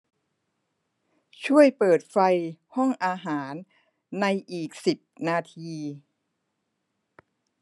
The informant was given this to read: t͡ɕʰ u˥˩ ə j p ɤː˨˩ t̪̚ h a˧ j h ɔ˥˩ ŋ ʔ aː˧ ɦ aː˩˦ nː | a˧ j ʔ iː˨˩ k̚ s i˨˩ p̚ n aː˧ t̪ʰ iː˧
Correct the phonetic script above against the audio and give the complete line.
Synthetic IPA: t͡ɕʰ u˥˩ ə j p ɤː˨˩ t̪̚ f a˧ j h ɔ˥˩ ŋ ʔ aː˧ ɦ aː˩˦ nː | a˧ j ʔ iː˨˩ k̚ s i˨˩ p̚ n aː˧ t̪ʰ iː˧